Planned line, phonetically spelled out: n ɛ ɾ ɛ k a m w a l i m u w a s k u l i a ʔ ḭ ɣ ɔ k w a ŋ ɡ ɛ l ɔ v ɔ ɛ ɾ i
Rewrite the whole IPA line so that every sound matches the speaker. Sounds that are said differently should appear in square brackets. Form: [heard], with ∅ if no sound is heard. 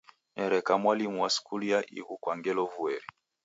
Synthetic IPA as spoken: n ɛ ɾ ɛ k a m w a l i m u w a s k u l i a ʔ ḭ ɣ [u] k w a ŋ ɡ ɛ l ɔ v [u] ɛ ɾ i